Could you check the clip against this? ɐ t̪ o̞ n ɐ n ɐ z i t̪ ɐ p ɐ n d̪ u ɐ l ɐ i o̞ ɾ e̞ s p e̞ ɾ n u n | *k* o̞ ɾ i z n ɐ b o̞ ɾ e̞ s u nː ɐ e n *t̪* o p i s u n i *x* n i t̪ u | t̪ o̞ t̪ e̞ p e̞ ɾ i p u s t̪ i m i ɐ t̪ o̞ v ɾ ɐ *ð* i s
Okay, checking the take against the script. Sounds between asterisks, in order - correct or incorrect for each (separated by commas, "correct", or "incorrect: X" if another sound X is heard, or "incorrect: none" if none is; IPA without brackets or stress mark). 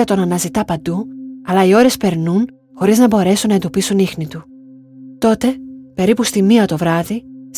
incorrect: x, incorrect: d̪, correct, correct